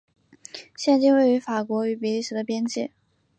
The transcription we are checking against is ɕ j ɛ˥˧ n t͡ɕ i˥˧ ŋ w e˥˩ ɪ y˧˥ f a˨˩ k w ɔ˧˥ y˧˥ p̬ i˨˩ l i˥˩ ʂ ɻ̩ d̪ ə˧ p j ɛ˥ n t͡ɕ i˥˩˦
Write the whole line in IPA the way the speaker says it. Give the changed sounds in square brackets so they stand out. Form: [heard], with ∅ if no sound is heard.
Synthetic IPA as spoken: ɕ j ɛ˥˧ n t͡ɕ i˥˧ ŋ w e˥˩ ɪ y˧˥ f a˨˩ k w ɔ˧˥ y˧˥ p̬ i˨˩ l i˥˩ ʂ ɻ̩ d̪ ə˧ p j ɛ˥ n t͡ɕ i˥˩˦